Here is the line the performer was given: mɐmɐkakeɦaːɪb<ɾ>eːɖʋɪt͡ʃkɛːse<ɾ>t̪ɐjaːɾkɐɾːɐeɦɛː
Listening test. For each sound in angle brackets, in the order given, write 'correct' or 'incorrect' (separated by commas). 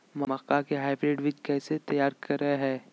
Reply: correct, incorrect